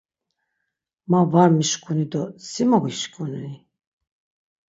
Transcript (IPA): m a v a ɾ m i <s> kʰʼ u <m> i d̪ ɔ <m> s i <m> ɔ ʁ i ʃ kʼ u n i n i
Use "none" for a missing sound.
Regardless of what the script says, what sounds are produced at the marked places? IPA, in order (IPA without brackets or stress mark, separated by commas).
ʃ, n, none, m